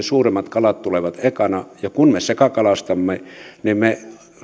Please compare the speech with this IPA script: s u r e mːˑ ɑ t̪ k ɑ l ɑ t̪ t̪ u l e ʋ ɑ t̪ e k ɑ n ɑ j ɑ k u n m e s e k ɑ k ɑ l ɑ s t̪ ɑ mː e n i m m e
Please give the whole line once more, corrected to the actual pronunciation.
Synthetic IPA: s uː r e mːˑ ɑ t̪ k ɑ l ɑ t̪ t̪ u l e ʋ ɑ t̪ e k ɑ n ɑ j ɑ k u n m e s e k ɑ k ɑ l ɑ s t̪ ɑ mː e n i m m e

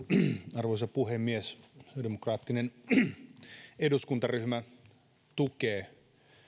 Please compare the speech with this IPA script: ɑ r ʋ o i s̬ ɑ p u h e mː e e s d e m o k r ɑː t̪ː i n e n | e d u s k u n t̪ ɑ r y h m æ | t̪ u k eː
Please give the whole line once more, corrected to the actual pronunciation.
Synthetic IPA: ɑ r ʋ o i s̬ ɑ p u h e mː i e s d e m o k r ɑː t̪ː i n e n | e d u s k u n t̪ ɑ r y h m æ | t̪ u k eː

